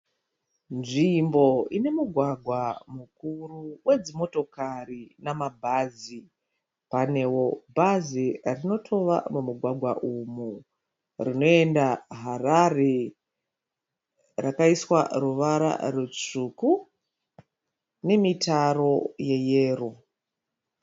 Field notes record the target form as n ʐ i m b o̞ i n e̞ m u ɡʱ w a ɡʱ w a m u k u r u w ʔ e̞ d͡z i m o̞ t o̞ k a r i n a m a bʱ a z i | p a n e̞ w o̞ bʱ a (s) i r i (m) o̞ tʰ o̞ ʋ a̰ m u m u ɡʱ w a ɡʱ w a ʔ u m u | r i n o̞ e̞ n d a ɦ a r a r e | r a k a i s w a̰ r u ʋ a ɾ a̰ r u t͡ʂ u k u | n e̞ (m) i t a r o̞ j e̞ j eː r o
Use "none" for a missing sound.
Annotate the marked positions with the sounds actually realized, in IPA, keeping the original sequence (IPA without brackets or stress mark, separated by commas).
z, n, m